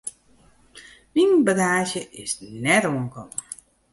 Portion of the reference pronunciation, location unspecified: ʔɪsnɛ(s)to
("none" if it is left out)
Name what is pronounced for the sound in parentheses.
none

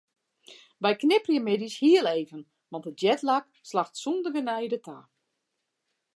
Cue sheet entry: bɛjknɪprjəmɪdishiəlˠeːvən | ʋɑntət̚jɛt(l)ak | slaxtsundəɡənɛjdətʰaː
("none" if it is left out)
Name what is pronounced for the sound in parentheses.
l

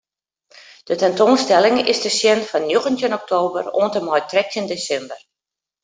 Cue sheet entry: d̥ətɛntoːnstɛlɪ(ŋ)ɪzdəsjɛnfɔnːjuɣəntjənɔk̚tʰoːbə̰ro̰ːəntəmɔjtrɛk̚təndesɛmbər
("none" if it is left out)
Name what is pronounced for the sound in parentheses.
ŋ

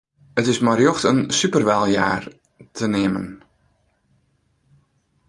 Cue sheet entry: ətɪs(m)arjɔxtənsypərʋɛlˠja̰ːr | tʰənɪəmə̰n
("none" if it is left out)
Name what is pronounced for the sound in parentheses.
m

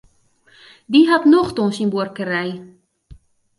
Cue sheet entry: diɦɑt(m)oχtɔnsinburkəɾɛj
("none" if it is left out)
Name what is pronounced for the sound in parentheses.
n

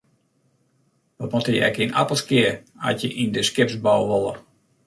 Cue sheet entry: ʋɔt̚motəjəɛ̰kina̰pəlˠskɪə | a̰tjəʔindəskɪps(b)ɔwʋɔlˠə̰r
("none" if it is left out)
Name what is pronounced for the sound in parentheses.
b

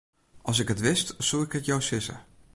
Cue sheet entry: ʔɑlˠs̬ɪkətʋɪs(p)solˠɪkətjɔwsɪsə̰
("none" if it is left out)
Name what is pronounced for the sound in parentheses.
t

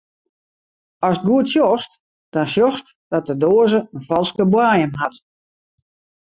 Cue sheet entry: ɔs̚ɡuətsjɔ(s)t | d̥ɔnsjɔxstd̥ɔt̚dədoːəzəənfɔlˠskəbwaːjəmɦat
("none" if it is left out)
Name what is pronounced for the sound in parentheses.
s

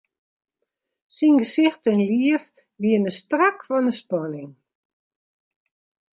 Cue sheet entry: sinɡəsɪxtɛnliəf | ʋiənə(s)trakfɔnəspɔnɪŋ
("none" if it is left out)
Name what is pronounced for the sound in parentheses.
s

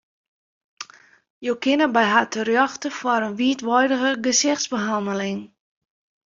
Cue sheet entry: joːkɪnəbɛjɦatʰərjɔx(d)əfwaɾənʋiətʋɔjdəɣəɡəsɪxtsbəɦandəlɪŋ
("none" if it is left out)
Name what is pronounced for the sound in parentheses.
t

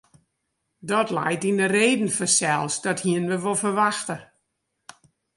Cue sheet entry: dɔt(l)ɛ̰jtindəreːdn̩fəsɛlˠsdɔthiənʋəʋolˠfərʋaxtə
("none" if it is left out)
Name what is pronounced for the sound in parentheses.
l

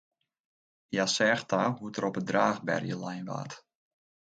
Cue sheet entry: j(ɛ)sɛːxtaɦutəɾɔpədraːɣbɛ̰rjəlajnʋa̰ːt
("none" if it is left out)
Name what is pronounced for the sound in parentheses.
a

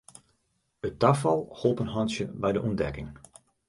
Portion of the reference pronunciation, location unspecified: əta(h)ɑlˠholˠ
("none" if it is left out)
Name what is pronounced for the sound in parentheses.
f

